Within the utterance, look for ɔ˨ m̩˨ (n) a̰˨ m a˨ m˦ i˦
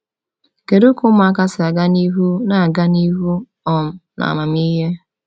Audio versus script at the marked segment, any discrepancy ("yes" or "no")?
no